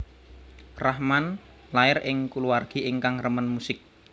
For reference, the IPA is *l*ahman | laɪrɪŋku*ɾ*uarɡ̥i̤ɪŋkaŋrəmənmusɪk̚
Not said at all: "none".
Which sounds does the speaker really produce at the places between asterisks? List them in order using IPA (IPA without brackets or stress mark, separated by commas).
r, l